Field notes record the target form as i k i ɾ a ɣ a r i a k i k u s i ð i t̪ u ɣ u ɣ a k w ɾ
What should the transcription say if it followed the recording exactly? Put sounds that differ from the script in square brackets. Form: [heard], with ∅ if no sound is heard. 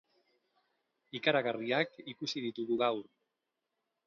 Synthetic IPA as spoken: i k [a] ɾ a ɣ a r i a k i k u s i ð i t̪ u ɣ u ɣ a [∅] w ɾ